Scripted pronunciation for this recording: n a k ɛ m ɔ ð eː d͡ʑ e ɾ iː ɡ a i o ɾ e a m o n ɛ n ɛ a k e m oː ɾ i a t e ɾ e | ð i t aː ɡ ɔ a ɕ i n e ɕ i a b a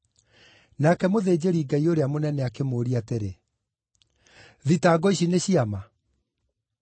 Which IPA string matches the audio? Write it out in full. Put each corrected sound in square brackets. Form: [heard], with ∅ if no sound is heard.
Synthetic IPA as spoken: n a k ɛ m [o] ð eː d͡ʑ e ɾ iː ɡ a i o ɾ e a m o n ɛ n ɛ a k e m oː ɾ i a t e ɾ e | ð i t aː ɡ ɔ [i] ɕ i n e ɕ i a [m] a